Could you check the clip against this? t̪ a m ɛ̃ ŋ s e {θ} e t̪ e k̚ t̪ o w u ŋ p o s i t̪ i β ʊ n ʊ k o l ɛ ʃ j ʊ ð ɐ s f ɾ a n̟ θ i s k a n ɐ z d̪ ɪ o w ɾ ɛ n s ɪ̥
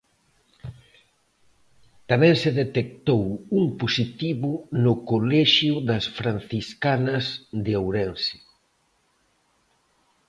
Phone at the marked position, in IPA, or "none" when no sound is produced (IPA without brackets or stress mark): ð